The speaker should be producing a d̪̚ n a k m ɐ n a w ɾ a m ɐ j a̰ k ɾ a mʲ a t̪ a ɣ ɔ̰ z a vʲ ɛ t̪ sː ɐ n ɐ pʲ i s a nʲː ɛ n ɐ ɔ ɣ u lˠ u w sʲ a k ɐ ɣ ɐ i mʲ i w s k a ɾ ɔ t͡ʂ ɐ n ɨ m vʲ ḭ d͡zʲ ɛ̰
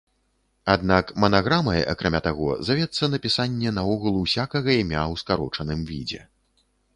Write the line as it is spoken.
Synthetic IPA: a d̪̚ n a k m ɐ n a ɣ ɾ a m ɐ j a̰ k ɾ a mʲ a t̪ a ɣ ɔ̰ z a vʲ ɛ t̪ sː ɐ n ɐ pʲ i s a nʲː ɛ n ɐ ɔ ɣ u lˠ u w sʲ a k ɐ ɣ ɐ i mʲ a w s k a ɾ ɔ t͡ʂ ɐ n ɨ m vʲ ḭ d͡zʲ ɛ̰